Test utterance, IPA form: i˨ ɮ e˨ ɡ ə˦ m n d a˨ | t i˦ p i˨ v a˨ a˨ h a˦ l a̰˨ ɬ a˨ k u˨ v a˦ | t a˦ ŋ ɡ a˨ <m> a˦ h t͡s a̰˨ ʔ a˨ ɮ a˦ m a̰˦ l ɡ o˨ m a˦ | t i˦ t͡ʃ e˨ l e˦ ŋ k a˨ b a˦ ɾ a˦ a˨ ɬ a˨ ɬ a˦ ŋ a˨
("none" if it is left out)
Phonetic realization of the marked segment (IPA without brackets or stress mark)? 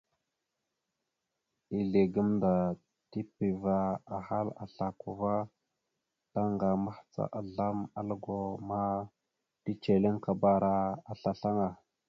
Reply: m